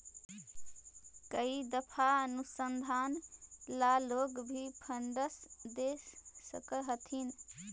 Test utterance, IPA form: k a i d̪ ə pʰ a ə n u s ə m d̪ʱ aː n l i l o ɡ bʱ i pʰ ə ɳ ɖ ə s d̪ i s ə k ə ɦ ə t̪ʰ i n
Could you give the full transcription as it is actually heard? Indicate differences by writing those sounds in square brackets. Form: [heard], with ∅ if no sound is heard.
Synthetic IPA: k [ə] i d̪ ə pʰ a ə n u s ə [n] d̪ʱ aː n l [a] l o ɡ bʱ i pʰ ə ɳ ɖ ə s d̪ [e] s ə k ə ɦ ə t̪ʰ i n